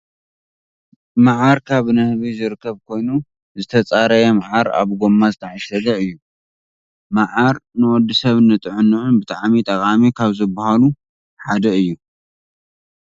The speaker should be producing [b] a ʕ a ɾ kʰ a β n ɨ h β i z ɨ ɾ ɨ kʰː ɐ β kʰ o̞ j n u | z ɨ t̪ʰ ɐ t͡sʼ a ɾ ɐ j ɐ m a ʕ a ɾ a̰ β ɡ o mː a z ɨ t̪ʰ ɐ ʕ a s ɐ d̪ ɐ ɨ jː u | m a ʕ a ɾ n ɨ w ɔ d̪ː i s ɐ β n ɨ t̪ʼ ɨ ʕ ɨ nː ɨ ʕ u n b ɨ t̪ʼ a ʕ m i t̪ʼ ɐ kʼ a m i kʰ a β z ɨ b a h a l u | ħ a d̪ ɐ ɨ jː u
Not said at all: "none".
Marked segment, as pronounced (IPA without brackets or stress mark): m